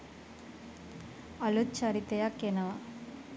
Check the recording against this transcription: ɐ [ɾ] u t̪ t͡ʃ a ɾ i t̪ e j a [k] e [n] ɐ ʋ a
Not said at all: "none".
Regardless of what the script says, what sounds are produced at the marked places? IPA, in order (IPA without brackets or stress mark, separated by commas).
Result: l, k, n